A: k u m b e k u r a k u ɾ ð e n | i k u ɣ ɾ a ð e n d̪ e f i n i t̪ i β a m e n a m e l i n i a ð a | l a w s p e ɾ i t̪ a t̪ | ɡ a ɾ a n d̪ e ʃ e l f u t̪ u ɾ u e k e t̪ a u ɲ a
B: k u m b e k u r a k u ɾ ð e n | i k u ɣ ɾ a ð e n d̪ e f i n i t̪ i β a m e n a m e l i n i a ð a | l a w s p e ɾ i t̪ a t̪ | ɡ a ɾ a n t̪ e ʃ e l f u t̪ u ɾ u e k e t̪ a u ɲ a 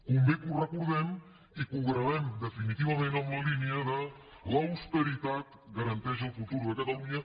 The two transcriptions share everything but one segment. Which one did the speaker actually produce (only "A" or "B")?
B